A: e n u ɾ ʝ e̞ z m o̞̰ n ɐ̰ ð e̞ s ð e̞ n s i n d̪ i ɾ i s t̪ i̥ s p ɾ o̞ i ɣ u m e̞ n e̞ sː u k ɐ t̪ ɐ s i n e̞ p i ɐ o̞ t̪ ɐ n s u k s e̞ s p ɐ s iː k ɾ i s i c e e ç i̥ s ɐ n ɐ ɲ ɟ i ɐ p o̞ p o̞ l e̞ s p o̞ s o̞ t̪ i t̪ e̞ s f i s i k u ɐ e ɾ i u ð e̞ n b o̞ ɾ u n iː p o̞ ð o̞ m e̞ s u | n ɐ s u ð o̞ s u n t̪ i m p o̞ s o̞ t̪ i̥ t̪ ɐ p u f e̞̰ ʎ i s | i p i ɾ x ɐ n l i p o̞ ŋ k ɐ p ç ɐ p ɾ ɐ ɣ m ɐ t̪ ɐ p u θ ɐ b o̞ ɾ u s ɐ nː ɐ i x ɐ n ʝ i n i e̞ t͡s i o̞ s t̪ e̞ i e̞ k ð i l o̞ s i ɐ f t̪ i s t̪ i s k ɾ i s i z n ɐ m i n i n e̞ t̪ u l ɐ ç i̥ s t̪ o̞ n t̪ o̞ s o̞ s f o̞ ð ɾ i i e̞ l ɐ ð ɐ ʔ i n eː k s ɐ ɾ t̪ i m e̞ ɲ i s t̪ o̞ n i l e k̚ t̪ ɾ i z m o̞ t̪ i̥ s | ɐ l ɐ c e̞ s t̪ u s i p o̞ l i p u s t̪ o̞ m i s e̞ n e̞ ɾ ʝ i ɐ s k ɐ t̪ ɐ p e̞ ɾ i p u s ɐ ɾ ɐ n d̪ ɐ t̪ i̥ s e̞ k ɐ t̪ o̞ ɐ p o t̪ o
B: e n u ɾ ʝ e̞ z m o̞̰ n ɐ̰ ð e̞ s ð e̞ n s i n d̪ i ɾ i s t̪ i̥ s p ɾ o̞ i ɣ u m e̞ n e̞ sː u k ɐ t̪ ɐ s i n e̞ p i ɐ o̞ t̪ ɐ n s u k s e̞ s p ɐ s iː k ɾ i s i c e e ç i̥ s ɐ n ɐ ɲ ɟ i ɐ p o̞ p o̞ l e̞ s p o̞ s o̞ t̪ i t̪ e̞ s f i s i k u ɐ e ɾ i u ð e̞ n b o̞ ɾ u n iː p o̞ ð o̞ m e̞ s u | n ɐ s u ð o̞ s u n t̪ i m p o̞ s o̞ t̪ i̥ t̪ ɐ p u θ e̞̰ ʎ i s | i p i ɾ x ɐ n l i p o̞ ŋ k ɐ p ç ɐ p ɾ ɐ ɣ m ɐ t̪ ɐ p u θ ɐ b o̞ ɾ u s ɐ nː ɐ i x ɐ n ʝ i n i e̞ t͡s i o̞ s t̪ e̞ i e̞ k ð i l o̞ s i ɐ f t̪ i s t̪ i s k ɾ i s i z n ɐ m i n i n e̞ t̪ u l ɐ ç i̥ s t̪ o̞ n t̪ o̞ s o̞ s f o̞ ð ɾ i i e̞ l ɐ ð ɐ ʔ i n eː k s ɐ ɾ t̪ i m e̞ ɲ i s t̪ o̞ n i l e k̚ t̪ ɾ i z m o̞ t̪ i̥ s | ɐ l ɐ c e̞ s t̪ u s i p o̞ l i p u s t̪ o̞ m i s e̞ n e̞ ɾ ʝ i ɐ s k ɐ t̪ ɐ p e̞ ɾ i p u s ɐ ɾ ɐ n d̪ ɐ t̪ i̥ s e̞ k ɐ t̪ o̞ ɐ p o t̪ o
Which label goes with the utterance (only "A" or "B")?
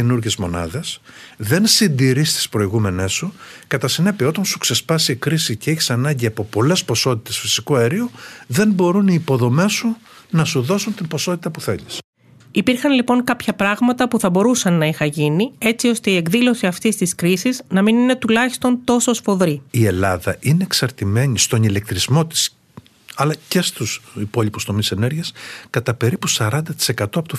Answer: B